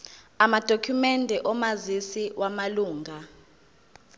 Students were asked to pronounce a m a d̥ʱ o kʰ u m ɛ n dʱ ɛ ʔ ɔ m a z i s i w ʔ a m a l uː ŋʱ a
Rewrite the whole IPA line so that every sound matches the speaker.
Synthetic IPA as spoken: a m a d̥ʱ o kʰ u m ɛ n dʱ ɛ ʔ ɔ m a z i s i w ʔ a m a l uː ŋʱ a